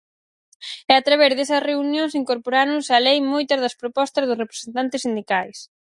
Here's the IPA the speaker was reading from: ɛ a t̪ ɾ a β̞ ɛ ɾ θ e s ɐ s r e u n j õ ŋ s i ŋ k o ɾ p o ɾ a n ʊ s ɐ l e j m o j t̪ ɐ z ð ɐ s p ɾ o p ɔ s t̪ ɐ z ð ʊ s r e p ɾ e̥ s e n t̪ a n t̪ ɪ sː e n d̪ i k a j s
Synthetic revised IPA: ɛ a t̪ ɾ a β̞ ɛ ɾ ð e s ɐ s r e u n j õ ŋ s i ŋ k o ɾ p o ɾ a n ʊ s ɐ l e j m o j t̪ ɐ z ð ɐ s p ɾ o p ɔ s t̪ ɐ z ð ʊ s r e p ɾ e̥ s e n t̪ a n t̪ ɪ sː i n d̪ i k a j s